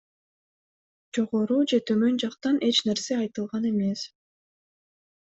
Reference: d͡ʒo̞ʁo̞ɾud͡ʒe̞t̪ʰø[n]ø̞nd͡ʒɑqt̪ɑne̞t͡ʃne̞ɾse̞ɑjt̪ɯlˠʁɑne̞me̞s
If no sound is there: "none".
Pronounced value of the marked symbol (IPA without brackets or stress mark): m